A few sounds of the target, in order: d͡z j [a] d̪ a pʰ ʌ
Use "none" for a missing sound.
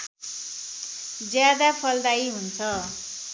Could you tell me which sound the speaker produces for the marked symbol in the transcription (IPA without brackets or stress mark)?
a